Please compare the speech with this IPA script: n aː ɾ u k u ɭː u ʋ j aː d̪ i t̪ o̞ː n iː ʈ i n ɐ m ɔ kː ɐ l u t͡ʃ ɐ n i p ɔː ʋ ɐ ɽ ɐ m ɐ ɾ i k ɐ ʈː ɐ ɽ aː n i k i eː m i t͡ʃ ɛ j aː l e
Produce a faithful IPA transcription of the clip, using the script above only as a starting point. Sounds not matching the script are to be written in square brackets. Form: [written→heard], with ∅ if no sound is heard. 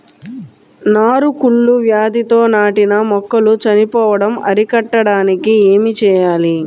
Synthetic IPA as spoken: n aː ɾ u k u ɭː u ʋ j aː d̪ i t̪ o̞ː n [iː→aː] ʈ i n ɐ m ɔ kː ɐ l u t͡ʃ ɐ n i p ɔː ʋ ɐ ɽ ɐ m ɐ ɾ i k ɐ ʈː ɐ ɽ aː n i k i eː m i t͡ʃ [ɛ→ɛː] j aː l [e→i]